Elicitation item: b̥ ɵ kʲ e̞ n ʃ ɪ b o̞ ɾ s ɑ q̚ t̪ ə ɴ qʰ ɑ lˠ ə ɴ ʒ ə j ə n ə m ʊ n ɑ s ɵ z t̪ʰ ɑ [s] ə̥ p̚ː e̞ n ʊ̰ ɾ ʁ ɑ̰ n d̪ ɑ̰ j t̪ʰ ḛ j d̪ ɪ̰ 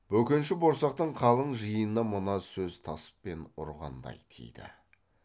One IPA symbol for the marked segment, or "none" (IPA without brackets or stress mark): s